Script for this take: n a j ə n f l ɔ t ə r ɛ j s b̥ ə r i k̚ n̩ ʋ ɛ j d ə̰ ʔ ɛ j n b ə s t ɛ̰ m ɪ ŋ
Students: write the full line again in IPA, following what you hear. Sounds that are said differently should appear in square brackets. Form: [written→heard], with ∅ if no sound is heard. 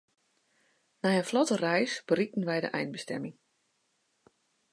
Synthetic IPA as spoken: n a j ə n f l ɔ t ə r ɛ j s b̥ ə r i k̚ n̩ ʋ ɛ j d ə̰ ʔ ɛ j n b ə s t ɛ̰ m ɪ ŋ